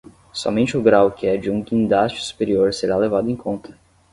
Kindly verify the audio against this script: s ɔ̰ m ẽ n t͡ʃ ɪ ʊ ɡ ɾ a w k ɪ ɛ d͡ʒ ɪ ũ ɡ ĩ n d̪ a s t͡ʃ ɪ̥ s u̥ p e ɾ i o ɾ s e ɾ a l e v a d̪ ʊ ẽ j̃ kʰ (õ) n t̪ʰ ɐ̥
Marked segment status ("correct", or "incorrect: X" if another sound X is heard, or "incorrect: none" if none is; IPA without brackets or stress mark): correct